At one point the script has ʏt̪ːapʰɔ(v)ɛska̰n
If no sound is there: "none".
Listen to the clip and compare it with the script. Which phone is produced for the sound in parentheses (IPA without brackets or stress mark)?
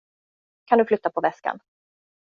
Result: v